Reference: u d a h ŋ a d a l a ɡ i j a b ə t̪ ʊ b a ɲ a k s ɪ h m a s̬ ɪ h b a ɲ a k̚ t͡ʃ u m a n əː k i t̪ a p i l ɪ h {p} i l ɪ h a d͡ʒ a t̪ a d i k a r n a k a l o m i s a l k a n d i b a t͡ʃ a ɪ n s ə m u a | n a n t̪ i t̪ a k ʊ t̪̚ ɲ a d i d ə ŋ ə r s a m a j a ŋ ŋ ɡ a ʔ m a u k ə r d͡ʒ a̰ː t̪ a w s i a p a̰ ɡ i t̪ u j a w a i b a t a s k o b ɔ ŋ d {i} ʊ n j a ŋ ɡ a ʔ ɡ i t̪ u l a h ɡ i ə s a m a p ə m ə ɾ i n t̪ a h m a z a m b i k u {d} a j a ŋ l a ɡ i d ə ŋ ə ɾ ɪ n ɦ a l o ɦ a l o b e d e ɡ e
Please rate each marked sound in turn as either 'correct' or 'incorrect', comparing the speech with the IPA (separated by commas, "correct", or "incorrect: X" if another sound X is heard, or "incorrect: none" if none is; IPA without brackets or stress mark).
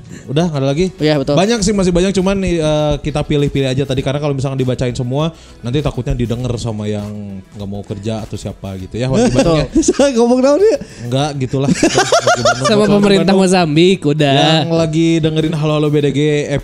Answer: correct, incorrect: a, correct